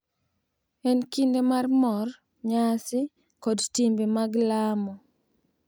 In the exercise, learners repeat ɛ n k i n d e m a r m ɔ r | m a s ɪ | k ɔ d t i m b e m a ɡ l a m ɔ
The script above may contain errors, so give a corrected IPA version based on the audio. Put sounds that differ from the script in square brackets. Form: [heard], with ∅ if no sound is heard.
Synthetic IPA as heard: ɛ n k i n d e m a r m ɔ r | [ɲ] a s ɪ | k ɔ d t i m b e m a ɡ l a m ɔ